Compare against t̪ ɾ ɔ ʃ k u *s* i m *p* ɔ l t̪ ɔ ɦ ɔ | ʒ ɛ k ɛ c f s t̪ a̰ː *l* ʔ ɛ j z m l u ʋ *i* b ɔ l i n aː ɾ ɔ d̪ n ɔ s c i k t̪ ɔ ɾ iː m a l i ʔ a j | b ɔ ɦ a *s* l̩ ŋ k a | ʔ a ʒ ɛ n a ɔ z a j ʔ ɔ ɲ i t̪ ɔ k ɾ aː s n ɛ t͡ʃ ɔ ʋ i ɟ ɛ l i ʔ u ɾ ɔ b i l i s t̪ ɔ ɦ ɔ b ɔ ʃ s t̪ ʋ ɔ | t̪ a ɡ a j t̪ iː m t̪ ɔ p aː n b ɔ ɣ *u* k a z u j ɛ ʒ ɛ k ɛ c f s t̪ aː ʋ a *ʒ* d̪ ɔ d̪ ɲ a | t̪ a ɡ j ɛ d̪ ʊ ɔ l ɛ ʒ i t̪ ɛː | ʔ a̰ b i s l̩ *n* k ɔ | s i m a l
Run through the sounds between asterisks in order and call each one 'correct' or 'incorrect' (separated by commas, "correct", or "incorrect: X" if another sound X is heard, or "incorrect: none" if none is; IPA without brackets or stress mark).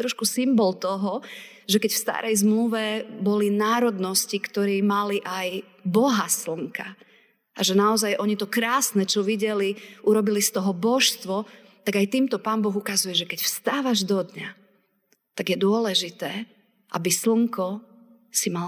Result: correct, incorrect: b, incorrect: ɾ, incorrect: ɛ, correct, correct, correct, incorrect: ŋ